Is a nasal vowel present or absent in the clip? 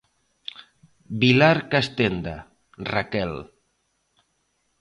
absent